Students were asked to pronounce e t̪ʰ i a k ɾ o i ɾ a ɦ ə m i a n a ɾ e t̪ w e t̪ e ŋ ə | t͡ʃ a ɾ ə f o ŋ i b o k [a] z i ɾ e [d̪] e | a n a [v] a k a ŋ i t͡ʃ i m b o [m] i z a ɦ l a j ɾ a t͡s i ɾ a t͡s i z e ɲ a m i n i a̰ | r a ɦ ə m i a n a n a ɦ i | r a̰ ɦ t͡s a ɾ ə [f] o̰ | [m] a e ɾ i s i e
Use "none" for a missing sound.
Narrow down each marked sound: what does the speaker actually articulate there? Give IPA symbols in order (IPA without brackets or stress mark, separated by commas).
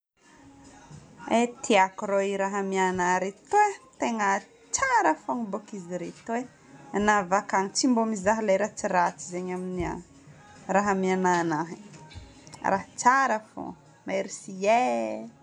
i, t̪, v, m, f, m